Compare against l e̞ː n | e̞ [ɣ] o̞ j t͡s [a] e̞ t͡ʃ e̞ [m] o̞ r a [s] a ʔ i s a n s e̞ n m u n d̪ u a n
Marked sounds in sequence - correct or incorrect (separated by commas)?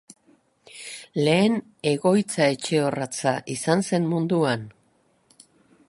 correct, correct, incorrect, incorrect